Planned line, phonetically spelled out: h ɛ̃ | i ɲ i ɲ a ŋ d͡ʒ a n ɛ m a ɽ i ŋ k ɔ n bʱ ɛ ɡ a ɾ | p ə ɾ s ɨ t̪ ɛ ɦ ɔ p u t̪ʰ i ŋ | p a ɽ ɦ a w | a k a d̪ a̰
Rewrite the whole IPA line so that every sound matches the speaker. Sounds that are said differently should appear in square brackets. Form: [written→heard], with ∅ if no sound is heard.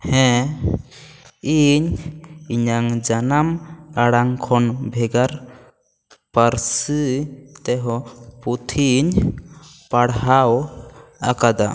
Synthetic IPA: h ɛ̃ | i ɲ i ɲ a ŋ d͡ʒ a n [ɛ→a] m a ɽ [i→a] ŋ [k→kʰ] ɔ n bʱ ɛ ɡ a ɾ | p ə ɾ s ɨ t̪ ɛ ɦ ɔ p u t̪ʰ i [ŋ→ɲ] | p a ɽ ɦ a w | a k a d̪ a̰

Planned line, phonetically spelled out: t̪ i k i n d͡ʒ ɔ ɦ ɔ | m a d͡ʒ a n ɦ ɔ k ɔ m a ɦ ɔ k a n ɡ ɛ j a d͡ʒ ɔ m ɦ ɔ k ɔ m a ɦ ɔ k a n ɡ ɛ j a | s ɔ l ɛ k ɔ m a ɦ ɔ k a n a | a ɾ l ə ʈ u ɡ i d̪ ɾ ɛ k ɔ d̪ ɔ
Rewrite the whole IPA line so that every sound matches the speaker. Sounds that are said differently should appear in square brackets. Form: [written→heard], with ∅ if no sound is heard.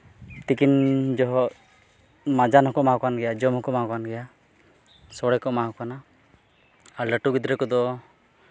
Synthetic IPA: t̪ i k i n d͡ʒ ɔ ɦ ɔ | m a d͡ʒ a n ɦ ɔ k ɔ m a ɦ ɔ k a n ɡ ɛ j a d͡ʒ ɔ m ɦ ɔ k ɔ m a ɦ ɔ k a n ɡ ɛ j a | s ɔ [l→ɽ] ɛ k ɔ m a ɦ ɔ k a n a | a ɾ l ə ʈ u ɡ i d̪ ɾ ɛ k ɔ d̪ ɔ

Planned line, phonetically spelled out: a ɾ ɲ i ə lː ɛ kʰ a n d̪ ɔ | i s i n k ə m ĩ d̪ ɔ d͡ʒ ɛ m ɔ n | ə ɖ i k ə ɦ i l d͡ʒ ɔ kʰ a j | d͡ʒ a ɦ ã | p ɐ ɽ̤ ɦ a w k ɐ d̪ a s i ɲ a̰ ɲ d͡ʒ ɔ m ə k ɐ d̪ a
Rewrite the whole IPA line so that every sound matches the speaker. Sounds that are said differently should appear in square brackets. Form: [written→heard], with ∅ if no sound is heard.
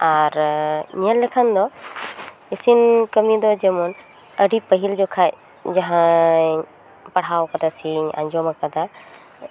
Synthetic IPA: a ɾ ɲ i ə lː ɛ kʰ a n d̪ ɔ | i s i n k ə m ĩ d̪ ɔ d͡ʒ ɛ m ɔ n | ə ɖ i [k→p] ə ɦ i l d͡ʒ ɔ kʰ a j | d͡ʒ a ɦ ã | p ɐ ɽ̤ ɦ a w k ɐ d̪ a s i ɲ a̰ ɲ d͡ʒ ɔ m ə k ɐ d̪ a

